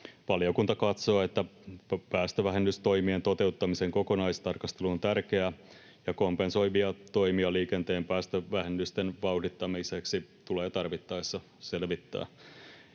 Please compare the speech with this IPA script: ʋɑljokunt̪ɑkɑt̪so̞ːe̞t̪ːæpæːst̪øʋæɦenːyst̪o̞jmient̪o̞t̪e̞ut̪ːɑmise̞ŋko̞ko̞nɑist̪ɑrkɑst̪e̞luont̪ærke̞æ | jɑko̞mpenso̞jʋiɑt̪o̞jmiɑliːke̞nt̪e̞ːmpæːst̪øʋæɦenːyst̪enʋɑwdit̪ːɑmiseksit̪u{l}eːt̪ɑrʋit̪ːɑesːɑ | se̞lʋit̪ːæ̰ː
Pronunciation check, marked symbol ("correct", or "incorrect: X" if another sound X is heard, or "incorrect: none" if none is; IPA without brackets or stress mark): correct